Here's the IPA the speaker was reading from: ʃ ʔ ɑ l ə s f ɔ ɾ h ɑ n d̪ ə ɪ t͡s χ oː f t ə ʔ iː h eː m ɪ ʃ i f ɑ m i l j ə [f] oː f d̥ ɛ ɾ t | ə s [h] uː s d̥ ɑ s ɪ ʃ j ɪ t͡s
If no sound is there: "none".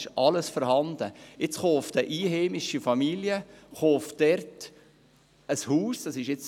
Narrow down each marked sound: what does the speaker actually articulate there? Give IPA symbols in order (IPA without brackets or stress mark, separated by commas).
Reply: χ, h